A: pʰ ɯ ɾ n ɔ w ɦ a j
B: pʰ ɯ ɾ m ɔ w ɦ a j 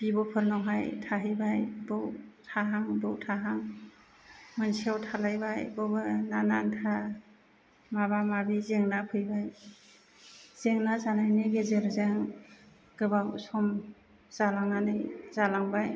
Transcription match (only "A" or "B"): A